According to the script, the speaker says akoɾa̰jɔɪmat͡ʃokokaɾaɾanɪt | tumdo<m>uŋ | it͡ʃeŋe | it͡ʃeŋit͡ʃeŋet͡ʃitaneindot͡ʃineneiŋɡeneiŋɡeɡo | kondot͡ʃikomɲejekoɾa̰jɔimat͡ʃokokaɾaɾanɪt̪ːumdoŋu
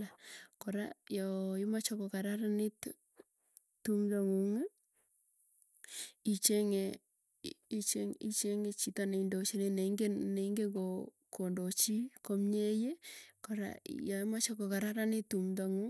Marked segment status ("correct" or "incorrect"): incorrect